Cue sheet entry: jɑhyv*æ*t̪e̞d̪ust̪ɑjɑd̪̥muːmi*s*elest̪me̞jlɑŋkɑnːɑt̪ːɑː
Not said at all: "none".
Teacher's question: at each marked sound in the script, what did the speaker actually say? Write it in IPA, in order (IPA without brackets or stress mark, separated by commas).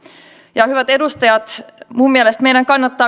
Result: æ, none